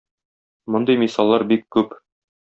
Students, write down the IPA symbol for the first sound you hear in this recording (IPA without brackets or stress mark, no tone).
m